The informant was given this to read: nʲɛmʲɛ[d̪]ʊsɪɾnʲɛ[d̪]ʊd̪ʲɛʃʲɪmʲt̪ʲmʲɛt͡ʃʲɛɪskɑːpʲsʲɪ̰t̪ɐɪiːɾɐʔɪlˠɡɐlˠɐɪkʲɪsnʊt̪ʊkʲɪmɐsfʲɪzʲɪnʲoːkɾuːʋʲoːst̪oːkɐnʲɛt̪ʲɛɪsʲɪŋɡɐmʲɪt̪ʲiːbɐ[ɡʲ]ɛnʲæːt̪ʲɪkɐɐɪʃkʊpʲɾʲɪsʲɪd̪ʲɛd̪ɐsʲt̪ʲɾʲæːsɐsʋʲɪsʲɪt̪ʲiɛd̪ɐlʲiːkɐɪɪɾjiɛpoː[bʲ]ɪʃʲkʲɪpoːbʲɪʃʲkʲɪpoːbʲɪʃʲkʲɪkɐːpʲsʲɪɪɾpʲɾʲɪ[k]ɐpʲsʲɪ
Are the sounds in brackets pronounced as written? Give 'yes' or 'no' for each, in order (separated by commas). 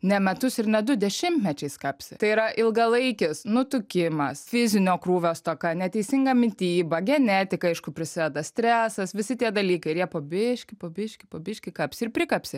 no, yes, yes, yes, yes